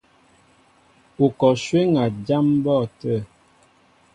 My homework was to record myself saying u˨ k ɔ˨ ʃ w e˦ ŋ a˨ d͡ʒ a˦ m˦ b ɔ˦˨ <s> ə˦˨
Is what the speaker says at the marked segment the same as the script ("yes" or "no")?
no